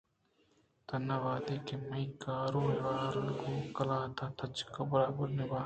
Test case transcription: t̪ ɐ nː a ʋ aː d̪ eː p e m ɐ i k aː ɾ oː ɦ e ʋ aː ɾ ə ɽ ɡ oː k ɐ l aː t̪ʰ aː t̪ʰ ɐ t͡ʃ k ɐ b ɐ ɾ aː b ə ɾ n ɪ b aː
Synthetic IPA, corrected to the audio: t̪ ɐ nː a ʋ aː d̪ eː k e m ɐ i k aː ɾ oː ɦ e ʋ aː ɾ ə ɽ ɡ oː k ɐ l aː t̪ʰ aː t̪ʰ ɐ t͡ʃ k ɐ b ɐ ɾ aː b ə ɾ n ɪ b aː